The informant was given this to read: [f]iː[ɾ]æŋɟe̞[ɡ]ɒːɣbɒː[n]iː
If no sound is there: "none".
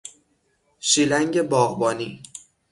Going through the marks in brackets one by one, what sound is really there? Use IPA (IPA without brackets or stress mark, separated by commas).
ʃ, l, b, n